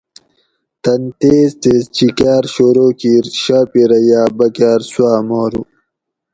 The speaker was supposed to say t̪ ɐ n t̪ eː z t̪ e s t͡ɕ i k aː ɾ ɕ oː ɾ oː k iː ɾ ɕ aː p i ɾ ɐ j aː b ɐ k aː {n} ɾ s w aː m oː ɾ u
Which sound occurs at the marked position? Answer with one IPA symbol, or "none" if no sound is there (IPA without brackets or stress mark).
none